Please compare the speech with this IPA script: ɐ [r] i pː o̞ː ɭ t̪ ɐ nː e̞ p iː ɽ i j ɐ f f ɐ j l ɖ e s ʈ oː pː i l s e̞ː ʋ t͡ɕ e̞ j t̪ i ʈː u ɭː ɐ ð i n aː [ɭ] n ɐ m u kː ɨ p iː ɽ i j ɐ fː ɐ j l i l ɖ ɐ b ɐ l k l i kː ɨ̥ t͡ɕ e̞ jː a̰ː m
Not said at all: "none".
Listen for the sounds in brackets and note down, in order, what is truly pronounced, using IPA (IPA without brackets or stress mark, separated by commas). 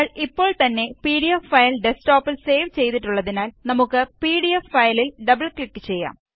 ɭ, l